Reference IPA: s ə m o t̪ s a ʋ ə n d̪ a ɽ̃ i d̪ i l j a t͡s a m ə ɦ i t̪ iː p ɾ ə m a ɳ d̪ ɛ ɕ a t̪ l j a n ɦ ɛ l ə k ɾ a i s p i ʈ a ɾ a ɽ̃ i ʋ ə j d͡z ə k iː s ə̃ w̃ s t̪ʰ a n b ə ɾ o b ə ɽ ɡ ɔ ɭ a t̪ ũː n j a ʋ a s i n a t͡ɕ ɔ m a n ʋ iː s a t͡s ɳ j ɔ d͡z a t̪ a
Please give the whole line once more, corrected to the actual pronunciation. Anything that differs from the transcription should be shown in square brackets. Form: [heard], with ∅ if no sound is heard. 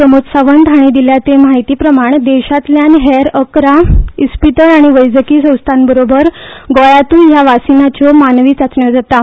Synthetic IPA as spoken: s ə m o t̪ s a ʋ ə n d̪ a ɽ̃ i d̪ i l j a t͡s [e] m [a] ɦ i t̪ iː p ɾ ə m a ɳ d̪ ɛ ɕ a t̪ l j a n ɦ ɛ [ɾ] ə k ɾ a i s p i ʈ [ə] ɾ a ɽ̃ i ʋ ə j d͡z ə k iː s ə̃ w̃ s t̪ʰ a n b ə ɾ o b ə [ɾ] ɡ ɔ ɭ a t̪ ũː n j a ʋ a s i n a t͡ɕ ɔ m a n ʋ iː [t͡s] a t͡s ɳ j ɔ d͡z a t̪ a